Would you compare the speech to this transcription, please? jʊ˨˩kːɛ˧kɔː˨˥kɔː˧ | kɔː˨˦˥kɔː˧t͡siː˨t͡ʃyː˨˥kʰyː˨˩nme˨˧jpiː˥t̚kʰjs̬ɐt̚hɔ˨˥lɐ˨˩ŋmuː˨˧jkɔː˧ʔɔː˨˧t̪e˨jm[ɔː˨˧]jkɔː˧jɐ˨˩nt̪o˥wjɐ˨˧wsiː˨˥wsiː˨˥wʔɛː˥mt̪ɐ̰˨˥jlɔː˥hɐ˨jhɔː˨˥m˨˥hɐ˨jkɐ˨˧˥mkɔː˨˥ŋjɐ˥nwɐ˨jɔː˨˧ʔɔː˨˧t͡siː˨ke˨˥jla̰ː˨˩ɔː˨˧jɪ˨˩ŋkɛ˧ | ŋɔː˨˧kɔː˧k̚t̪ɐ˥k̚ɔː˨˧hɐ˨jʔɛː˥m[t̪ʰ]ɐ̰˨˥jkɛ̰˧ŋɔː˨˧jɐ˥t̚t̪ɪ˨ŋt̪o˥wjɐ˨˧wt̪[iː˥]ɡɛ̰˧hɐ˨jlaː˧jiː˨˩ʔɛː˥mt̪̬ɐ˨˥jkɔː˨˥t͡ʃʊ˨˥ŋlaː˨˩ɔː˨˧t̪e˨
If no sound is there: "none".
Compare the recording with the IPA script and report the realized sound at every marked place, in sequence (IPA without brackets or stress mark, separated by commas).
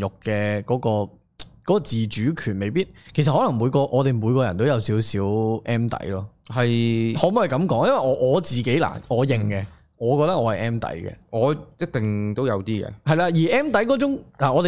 uː˨˧, t̪, iː˥